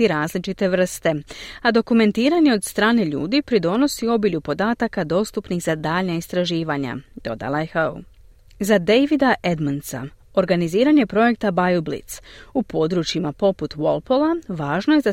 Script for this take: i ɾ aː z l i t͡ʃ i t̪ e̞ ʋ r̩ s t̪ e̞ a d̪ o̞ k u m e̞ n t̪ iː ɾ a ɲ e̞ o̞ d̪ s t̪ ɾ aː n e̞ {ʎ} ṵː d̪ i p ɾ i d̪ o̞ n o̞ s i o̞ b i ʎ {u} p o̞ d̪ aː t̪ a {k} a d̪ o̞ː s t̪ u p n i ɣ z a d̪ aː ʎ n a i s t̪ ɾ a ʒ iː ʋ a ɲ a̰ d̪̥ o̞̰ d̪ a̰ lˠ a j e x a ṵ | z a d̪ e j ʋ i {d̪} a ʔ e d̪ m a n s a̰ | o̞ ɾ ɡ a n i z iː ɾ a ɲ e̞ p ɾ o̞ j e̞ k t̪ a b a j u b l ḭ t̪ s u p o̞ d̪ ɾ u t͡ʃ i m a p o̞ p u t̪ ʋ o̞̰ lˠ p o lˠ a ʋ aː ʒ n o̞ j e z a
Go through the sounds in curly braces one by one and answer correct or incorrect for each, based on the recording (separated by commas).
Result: correct, correct, correct, correct